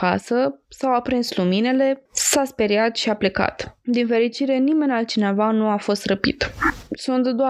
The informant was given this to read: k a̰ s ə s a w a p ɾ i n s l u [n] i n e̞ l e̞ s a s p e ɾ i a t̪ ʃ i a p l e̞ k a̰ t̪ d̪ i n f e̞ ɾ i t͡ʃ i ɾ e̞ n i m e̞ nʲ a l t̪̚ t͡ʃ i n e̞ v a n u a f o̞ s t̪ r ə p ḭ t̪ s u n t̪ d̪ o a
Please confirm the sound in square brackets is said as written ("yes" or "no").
no